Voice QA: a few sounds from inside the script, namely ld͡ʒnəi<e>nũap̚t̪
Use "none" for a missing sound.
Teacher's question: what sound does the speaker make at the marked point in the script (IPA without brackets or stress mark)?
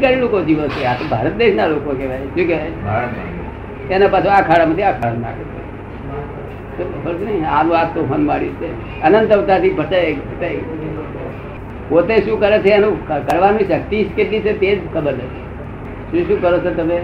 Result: a